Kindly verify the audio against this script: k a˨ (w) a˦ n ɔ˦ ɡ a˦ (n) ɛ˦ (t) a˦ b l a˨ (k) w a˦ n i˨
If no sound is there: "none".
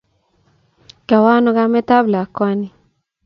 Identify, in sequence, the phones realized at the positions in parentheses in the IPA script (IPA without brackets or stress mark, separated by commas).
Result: w, m, t, k